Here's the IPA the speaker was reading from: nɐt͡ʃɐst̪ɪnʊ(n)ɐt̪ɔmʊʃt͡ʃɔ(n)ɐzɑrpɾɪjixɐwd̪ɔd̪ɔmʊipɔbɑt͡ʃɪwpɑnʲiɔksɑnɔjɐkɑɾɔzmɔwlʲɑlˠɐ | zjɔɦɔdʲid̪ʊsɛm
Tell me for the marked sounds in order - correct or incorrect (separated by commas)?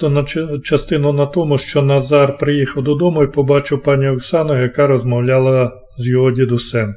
correct, correct